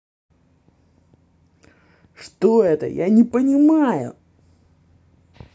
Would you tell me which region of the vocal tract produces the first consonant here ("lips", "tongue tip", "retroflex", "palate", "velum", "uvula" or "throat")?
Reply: retroflex